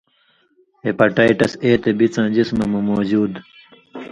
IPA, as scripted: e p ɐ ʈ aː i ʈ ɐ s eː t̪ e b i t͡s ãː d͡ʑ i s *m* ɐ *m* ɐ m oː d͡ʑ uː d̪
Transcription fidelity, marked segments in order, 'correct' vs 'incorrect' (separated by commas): correct, correct